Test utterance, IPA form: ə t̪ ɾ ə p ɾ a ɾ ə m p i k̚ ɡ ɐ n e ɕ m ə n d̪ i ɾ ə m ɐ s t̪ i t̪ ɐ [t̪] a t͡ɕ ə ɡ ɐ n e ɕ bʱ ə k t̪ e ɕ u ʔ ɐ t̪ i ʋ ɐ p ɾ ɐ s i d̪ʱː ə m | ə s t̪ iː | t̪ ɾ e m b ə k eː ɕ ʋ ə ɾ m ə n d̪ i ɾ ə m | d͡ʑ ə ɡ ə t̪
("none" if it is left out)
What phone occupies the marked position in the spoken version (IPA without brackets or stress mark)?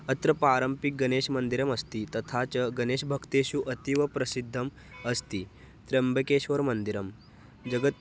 t̪ʰ